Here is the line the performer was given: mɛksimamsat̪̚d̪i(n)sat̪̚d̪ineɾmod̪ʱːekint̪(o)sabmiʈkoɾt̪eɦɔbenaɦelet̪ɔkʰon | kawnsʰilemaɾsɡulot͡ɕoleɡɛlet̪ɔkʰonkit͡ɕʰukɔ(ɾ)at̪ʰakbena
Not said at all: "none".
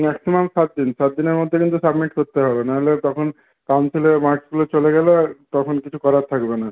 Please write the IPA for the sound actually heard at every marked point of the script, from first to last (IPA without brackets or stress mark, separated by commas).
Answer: n, u, ɾ